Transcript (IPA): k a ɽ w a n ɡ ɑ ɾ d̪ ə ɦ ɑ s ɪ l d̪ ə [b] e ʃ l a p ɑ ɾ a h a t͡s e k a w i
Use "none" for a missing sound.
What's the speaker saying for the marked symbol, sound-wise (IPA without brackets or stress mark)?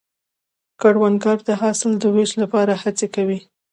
w